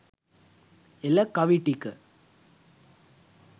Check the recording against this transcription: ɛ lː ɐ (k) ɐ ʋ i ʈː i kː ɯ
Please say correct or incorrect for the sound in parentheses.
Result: correct